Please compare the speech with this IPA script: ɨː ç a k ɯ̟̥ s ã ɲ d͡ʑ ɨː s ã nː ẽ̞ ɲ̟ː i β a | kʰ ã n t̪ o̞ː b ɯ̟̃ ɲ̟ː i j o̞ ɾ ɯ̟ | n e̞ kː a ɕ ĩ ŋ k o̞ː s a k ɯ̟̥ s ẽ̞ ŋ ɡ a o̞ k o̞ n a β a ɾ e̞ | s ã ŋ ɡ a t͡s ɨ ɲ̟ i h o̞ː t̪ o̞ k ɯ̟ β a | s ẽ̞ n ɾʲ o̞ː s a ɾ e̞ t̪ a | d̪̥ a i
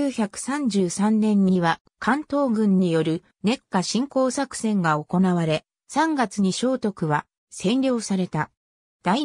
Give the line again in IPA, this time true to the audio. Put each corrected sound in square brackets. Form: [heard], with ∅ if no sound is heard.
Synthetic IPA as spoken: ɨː ç a k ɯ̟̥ s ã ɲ d͡ʑ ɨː s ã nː ẽ̞ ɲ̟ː i β a | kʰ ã n t̪ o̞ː [ɡ] ɯ̟̃ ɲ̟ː i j o̞ ɾ ɯ̟ | n e̞ kː a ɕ ĩ ŋ k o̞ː s a k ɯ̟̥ s ẽ̞ ŋ ɡ a o̞ k o̞ n a β a ɾ e̞ | s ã ŋ ɡ a t͡s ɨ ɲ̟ i [ɕ] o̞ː t̪ o̞ k ɯ̟ β a | s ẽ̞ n ɾʲ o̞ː s a ɾ e̞ t̪ a | d̪̥ a i